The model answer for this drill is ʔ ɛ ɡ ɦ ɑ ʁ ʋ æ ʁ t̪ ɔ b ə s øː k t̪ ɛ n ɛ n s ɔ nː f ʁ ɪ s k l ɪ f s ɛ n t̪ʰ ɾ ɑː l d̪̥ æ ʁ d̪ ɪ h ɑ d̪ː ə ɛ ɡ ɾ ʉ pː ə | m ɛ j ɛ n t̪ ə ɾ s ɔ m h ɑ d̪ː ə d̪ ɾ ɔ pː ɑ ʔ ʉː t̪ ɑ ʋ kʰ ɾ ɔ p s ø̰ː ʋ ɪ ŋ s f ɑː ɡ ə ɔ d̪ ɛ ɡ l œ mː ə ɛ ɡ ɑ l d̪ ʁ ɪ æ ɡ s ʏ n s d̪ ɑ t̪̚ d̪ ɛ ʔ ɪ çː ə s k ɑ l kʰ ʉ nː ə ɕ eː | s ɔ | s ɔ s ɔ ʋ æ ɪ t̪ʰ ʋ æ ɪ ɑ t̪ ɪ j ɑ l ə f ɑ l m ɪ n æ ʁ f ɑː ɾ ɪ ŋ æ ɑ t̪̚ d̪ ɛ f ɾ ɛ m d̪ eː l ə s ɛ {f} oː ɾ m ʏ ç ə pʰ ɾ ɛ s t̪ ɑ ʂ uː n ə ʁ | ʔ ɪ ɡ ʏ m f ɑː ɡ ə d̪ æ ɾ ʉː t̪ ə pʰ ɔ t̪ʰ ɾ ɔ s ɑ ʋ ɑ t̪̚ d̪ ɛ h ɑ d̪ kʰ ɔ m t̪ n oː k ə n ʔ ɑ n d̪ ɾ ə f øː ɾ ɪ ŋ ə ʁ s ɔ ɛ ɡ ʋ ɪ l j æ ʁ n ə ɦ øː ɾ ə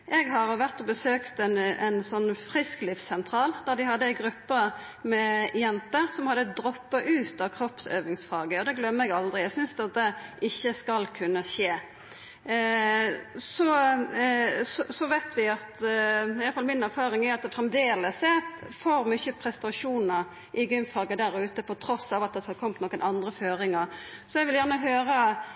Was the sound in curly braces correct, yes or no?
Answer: yes